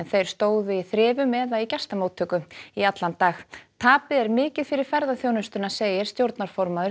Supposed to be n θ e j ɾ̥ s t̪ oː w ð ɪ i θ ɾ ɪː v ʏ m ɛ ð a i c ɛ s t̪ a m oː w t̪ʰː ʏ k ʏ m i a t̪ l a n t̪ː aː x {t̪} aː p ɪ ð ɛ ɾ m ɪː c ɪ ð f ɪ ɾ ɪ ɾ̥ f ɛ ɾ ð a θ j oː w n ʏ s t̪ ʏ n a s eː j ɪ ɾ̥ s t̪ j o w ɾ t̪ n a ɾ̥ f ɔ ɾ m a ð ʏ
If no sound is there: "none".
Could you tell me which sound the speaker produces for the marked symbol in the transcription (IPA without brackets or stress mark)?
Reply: t̪ʰ